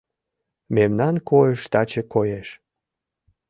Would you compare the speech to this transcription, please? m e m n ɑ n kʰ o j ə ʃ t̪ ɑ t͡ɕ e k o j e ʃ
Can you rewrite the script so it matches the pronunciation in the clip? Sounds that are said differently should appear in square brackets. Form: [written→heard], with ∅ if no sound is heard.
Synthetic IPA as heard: m e m n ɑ n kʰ o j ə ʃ t̪ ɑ t͡ɕ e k o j e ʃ